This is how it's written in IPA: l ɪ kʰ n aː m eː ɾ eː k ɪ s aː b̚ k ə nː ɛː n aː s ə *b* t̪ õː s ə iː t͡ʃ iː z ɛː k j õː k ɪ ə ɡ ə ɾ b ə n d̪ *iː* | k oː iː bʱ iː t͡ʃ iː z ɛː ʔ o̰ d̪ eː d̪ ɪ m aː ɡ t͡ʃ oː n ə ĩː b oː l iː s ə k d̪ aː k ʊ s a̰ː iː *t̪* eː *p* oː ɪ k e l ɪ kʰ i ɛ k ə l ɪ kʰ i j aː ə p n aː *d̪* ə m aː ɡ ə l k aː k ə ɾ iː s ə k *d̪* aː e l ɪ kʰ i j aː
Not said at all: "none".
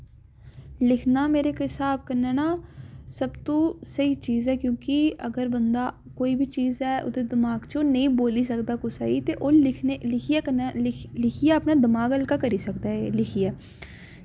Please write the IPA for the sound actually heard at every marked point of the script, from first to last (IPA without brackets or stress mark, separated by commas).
b, aː, t̪, ʔ, d̪, d̪